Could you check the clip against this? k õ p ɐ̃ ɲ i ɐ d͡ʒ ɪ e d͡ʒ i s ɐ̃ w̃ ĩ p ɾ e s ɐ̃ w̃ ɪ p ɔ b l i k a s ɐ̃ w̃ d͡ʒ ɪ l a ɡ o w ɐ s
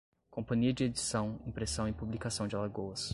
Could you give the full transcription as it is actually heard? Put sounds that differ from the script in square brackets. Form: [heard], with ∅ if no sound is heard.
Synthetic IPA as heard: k õ p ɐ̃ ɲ i ɐ d͡ʒ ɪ e d͡ʒ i s ɐ̃ w̃ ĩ p ɾ e s ɐ̃ w̃ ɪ p [u] b l i k a s ɐ̃ w̃ d͡ʒ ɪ l a ɡ o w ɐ s